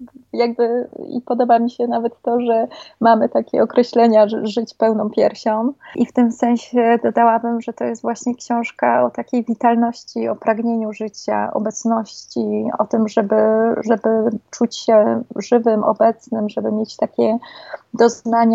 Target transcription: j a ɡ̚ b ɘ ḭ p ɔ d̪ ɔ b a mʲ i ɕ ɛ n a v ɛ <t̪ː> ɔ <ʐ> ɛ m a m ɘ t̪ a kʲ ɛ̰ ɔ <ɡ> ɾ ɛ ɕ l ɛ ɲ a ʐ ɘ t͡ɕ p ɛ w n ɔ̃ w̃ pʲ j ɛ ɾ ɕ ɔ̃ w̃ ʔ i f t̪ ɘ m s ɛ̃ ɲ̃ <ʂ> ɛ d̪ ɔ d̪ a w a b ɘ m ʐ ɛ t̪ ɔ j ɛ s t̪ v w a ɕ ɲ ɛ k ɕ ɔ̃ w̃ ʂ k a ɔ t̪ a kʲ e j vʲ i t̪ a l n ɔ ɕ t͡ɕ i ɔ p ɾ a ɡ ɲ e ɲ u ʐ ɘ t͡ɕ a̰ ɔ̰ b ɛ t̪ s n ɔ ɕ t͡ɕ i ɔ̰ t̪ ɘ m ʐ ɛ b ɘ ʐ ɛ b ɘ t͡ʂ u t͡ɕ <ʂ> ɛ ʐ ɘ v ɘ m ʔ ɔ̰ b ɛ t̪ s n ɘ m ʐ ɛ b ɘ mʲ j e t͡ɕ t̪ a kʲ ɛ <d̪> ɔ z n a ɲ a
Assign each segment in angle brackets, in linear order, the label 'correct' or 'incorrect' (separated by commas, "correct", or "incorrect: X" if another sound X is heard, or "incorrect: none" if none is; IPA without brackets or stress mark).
correct, correct, incorrect: k, incorrect: ɕ, incorrect: ɕ, correct